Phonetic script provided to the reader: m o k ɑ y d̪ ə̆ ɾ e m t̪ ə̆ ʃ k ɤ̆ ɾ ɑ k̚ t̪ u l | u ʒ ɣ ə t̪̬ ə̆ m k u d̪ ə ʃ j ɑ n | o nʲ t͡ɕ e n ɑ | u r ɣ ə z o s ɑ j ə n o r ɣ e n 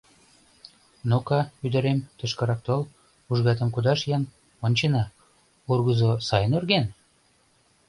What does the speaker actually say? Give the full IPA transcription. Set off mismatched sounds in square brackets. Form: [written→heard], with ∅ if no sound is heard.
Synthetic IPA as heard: [m→n] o k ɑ y d̪ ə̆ ɾ e m t̪ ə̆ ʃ k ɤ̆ ɾ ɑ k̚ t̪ [u→o] l | u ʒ ɣ [ə→ɑ] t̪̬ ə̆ m k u d̪ [ə→ɑ] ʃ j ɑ n | o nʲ t͡ɕ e n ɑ | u r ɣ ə z o s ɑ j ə n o r ɣ e n